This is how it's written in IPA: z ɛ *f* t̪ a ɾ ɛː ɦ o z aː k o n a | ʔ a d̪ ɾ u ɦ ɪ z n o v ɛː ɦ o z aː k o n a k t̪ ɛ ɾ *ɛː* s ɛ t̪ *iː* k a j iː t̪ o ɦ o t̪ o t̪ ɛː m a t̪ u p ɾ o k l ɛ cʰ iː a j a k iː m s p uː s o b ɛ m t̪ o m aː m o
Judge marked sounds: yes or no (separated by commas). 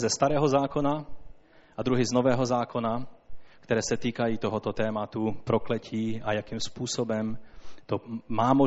no, yes, yes